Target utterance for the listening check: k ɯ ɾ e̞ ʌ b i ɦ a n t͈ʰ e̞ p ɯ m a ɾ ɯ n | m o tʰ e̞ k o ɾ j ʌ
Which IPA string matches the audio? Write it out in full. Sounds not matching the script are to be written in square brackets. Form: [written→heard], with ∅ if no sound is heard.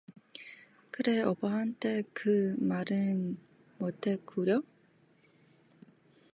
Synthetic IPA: k ɯ ɾ e̞ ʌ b [i→a] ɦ a n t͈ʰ e̞ [p→k] ɯ m a ɾ ɯ n | m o tʰ e̞ k [o→u] ɾ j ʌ